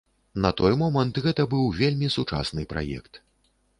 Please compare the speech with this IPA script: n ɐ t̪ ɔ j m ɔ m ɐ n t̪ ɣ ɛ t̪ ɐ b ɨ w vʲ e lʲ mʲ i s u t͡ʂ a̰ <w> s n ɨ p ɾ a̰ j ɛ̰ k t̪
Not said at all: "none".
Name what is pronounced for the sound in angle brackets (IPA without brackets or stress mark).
none